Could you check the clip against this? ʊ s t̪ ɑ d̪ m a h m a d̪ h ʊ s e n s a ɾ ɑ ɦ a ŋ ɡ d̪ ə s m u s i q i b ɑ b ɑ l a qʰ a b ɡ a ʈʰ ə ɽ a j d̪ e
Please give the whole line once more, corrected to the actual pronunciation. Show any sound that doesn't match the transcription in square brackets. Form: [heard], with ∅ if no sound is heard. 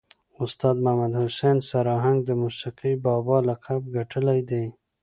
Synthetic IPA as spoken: ʊ s t̪ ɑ d̪ m a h m a d̪ h ʊ s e n s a ɾ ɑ ɦ a ŋ ɡ d̪ ə [∅] m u s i q i b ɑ b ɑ l a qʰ a b ɡ a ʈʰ ə [l] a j d̪ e